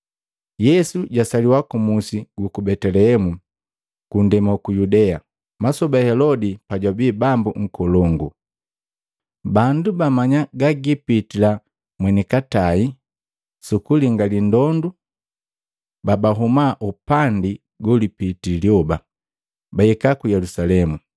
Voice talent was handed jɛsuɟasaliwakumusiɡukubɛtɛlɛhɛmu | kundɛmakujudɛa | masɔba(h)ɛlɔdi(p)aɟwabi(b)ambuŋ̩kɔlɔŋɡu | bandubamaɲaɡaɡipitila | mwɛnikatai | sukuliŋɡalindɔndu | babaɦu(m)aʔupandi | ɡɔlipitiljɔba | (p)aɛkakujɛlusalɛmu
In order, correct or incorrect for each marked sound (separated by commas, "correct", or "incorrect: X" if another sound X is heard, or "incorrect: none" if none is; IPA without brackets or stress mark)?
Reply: correct, correct, correct, correct, incorrect: b